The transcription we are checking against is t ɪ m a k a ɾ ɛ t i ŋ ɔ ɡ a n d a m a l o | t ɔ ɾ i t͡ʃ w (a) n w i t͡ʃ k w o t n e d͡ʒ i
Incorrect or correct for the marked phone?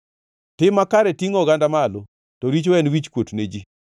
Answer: incorrect: ɛ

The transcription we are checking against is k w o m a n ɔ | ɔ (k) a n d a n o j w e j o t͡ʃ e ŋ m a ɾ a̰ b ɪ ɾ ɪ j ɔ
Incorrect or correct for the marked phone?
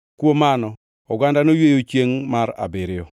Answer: incorrect: ɡ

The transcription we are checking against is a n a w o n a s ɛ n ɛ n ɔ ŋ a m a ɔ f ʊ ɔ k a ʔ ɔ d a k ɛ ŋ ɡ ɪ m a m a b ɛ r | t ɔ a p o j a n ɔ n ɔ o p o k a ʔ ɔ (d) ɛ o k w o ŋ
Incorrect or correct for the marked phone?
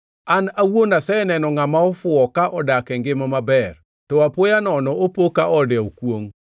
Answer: correct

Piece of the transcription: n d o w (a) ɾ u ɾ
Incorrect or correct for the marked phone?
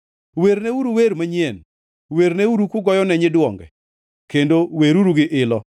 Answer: incorrect: e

